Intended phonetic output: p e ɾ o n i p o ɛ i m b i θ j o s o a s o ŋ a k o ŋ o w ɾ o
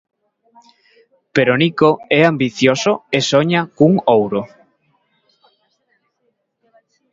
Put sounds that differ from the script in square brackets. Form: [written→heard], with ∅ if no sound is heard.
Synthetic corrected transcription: p e ɾ o n i [p→k] o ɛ [i→a] m b i θ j o s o [a→e] s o [ŋ→ɲ] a k [o→u] ŋ o w ɾ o